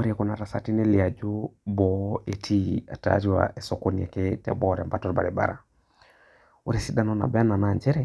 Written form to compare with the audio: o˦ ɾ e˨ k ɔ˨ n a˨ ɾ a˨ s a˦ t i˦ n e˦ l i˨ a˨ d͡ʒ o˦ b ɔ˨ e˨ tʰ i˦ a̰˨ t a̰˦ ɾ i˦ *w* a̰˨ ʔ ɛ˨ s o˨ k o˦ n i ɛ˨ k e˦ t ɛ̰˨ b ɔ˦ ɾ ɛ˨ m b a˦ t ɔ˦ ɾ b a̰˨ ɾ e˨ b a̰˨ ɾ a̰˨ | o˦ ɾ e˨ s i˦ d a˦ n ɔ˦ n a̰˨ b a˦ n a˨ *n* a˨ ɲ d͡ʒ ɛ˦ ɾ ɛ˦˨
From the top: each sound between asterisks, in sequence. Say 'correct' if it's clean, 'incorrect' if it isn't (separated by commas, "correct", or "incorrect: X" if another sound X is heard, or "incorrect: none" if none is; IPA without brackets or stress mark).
correct, correct